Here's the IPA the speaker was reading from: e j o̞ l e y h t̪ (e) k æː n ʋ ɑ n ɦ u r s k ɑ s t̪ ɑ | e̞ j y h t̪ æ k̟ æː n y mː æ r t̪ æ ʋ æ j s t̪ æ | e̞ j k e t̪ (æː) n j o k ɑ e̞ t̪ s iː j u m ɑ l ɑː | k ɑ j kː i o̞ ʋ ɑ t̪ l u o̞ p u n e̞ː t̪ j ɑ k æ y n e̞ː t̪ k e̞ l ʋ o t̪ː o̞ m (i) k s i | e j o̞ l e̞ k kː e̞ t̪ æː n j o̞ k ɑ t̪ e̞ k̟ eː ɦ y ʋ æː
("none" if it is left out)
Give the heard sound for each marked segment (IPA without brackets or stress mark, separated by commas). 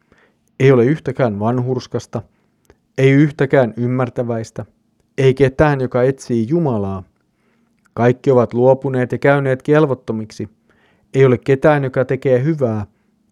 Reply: æ, æː, i